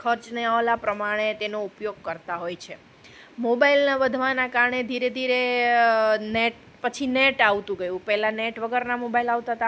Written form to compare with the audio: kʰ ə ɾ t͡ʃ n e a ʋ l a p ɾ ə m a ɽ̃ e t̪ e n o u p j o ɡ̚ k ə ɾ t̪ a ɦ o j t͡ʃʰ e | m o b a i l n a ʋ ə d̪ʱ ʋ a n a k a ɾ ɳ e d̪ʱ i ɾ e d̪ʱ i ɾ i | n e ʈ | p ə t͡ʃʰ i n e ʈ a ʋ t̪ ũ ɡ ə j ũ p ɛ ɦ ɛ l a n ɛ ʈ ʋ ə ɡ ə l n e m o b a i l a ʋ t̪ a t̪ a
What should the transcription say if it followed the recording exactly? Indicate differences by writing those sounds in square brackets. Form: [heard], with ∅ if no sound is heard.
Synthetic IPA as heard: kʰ ə ɾ t͡ʃ n e a ʋ l a p ɾ ə m a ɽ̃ e t̪ e n o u p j o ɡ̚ k ə ɾ t̪ a ɦ o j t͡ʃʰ e | m o b a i l n a ʋ ə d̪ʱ ʋ a n a k a ɾ ɳ e d̪ʱ i ɾ e d̪ʱ i ɾ [e] | n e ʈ | p ə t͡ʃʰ i n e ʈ a ʋ t̪ ũ ɡ ə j ũ p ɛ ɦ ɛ l a n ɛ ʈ ʋ ə ɡ ə [ɾ] n [a] m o b a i l a ʋ t̪ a t̪ a